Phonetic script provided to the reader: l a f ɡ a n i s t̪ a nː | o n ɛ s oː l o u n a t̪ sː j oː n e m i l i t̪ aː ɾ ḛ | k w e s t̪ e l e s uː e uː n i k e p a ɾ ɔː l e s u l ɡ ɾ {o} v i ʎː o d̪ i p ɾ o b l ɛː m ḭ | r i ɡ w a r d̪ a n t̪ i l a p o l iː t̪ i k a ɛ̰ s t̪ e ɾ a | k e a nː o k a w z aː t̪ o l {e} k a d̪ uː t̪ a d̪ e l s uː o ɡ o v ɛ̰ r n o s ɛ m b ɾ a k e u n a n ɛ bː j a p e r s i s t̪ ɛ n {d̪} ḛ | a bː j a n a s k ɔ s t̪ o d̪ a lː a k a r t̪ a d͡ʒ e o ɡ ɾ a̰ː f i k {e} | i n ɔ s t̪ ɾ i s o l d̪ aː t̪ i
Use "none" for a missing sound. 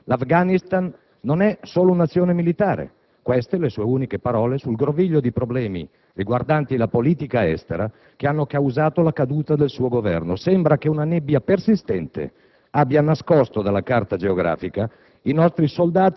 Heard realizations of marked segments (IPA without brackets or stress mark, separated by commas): o, a, t̪, a